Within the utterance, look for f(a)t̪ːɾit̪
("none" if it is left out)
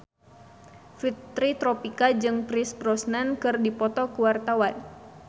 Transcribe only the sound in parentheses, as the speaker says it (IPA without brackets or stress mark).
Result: i